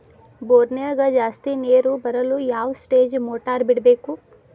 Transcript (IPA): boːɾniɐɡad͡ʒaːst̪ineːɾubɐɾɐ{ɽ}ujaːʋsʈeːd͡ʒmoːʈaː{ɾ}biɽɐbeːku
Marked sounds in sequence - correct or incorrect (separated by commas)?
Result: incorrect, correct